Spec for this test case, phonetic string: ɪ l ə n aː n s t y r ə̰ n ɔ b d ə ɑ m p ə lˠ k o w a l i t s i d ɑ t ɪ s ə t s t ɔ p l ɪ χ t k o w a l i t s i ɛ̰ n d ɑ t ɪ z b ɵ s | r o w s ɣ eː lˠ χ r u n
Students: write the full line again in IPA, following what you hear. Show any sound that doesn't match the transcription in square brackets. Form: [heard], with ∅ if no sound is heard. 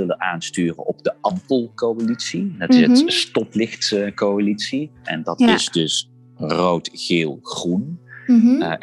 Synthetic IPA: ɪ l ə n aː n s t [yː] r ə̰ n ɔ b d ə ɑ m p ə lˠ k o w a l i t s i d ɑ t ɪ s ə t s t ɔ p l ɪ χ t k o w a l i t s i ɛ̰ n d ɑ t ɪ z [d] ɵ s | r o w [t] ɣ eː lˠ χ r u n